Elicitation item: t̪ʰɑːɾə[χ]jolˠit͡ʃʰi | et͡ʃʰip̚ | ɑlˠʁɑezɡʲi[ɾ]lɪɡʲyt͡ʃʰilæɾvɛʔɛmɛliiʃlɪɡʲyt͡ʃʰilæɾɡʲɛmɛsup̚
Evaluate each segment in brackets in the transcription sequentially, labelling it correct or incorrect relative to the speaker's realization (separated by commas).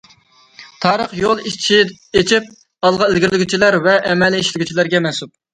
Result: correct, correct